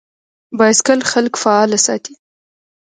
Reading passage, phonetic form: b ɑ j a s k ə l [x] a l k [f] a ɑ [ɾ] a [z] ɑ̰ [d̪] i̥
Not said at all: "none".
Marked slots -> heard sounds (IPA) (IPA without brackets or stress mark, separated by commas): x, f, l, s, t̪